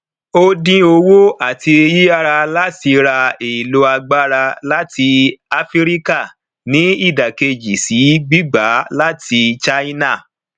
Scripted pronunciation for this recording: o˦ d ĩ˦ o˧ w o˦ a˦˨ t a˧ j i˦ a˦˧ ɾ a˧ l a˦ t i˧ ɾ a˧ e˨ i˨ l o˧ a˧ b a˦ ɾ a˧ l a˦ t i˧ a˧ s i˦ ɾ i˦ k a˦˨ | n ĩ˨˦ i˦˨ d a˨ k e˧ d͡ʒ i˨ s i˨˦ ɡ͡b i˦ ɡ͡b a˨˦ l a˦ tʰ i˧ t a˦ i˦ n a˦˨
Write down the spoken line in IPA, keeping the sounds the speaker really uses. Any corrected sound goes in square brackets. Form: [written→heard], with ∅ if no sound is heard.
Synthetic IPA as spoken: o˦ d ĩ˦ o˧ w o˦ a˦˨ t [a˧→i˧] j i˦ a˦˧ ɾ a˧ l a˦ t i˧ ɾ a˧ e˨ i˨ l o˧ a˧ [b→ɡ͡b] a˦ ɾ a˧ l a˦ t i˧ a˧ [s→f] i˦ ɾ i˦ k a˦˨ | n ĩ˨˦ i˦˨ d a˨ k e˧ d͡ʒ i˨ s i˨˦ ɡ͡b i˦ ɡ͡b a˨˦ l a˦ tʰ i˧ [t→t͡ʃ] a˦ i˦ n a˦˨